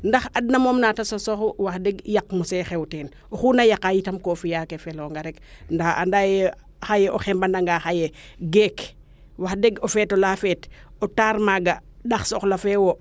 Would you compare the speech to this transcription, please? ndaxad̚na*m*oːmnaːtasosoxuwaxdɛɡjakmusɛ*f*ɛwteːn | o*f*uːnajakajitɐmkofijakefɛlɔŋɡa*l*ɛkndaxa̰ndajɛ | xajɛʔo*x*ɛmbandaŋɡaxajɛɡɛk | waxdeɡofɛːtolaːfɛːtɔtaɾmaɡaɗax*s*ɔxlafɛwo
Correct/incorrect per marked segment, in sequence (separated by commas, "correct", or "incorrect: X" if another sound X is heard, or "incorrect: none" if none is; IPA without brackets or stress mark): correct, incorrect: x, incorrect: x, incorrect: ɾ, correct, correct